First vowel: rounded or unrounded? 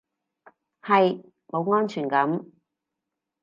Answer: unrounded